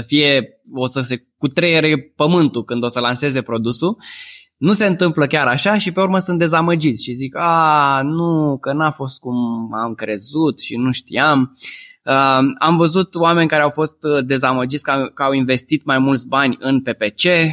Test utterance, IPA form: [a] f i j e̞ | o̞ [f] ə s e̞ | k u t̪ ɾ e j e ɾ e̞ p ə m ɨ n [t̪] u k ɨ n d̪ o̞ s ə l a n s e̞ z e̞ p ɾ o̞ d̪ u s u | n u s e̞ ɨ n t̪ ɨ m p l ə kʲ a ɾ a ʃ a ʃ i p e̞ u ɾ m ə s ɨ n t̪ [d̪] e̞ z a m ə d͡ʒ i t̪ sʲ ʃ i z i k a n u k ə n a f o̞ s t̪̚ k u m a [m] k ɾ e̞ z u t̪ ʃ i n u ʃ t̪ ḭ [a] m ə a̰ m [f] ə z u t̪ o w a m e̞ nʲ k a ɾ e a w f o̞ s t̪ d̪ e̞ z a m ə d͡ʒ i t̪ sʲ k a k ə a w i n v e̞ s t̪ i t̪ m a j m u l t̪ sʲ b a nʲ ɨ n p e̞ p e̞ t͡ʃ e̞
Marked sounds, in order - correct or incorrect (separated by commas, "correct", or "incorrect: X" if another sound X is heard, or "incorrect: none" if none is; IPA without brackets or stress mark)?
incorrect: ə, incorrect: s, correct, correct, correct, correct, incorrect: v